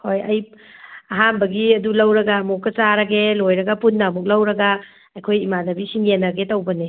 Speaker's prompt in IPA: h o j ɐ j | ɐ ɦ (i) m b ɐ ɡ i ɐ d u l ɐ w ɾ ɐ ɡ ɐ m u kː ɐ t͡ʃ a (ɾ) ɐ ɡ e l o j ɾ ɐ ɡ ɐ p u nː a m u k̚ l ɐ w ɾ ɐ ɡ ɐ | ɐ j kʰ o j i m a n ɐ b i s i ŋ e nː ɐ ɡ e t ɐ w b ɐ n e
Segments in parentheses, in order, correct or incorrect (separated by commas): incorrect, correct